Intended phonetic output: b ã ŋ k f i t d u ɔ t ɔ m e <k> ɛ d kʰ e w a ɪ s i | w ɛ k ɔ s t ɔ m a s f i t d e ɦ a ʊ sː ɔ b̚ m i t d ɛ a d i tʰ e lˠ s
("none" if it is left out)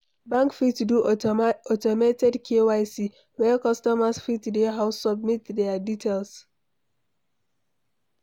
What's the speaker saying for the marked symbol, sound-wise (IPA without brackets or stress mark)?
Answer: t